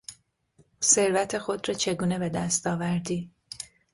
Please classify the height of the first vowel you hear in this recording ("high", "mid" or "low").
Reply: mid